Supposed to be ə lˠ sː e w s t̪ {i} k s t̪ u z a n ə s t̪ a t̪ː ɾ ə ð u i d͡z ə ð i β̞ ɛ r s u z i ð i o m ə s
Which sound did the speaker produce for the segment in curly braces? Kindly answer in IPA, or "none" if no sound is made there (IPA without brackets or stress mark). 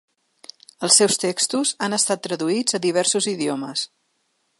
e